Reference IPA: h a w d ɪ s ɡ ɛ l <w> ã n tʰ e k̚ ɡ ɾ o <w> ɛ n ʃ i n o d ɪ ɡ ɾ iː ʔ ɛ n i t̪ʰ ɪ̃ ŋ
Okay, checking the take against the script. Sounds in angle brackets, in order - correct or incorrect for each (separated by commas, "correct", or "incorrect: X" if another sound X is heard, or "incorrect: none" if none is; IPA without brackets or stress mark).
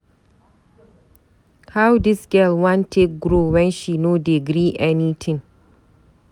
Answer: correct, correct